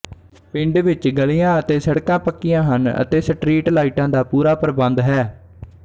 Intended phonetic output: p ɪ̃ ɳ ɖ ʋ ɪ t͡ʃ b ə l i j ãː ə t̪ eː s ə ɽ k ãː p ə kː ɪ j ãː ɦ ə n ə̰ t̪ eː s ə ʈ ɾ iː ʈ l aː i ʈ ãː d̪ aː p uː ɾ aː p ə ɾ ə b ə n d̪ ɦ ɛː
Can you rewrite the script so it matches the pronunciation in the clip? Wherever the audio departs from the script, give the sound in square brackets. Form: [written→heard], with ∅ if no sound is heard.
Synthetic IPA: p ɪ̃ ɳ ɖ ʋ ɪ t͡ʃ [b→ɡ] ə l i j ãː ə t̪ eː s ə ɽ k ãː p ə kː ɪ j ãː ɦ ə n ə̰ t̪ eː s ə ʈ ɾ iː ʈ l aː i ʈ ãː d̪ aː p uː ɾ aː p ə ɾ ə b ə n d̪ ɦ ɛː